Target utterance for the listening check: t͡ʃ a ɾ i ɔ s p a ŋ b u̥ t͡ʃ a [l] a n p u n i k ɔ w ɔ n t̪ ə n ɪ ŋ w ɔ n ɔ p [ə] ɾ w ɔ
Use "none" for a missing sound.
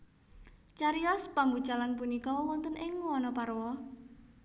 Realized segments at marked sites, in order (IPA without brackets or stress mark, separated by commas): l, a